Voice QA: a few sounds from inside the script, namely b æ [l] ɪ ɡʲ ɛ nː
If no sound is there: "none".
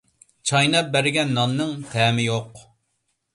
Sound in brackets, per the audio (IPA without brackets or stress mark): ɾ